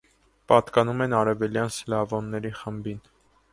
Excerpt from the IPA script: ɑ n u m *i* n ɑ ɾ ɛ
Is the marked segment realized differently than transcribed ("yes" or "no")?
yes